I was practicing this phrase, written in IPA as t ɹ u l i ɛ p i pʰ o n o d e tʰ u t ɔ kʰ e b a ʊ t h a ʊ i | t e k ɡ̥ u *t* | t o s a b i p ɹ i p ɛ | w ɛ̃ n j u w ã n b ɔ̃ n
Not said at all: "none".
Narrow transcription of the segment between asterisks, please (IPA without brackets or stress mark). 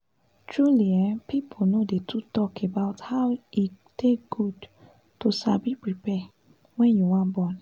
d